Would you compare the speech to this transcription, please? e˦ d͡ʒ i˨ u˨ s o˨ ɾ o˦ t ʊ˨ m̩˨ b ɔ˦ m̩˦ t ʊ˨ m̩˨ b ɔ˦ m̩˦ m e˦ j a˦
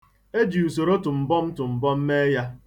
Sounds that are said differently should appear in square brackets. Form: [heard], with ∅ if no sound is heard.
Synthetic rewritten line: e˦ d͡ʒ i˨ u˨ s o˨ ɾ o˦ t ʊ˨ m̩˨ b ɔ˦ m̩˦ t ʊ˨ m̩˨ b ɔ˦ m̩˦ m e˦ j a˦